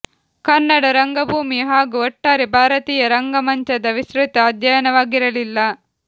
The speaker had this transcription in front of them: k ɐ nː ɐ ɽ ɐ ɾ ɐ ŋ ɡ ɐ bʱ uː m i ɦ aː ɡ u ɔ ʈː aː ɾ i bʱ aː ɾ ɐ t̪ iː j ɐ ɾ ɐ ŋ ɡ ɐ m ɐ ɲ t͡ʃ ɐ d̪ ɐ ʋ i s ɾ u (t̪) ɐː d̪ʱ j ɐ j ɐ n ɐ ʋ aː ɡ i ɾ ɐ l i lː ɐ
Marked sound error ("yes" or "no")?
no